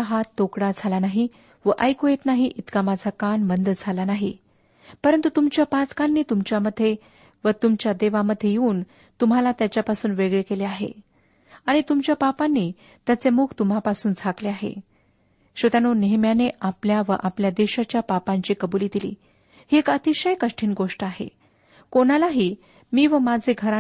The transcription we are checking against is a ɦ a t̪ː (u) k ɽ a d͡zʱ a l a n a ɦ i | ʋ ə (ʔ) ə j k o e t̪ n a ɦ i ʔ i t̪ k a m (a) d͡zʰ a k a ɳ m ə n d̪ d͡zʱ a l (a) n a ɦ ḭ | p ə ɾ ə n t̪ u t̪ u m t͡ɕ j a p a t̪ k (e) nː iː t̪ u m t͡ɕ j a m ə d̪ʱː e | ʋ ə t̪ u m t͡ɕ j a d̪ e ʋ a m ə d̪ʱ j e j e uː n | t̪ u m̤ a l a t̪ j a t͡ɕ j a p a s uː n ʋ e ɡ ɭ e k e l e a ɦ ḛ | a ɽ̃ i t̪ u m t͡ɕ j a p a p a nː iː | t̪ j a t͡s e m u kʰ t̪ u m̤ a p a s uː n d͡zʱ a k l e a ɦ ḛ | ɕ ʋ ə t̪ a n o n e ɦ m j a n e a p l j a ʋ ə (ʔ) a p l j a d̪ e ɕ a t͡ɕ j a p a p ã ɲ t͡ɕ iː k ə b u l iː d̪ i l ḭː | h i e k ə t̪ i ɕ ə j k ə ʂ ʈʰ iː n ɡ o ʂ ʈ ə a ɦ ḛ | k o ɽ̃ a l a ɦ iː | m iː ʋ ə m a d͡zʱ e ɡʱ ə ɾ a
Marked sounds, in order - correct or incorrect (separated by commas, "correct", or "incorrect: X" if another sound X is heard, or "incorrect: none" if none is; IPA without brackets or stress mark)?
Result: incorrect: o, correct, correct, correct, incorrect: a, correct